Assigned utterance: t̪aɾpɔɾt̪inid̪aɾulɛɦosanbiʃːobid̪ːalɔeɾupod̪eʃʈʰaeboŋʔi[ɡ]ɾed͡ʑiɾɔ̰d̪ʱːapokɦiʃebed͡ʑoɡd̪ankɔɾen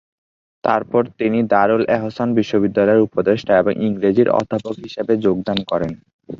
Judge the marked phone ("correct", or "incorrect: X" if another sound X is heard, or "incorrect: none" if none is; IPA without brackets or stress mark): incorrect: ŋ